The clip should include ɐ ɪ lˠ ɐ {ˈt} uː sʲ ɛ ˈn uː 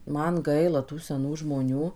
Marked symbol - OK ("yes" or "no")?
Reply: yes